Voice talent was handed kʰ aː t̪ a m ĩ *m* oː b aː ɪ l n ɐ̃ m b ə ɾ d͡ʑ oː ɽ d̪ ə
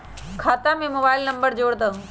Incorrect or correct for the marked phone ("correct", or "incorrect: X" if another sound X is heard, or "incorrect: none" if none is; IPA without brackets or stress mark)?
correct